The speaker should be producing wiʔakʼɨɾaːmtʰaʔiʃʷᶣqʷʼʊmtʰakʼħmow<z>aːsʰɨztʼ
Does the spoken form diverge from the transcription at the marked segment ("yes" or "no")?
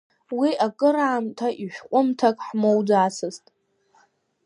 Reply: yes